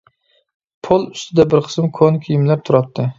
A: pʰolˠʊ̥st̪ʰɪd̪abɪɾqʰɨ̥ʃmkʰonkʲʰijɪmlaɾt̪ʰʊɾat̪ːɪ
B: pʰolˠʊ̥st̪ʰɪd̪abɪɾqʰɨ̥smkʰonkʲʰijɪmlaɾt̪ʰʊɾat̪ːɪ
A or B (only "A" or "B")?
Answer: B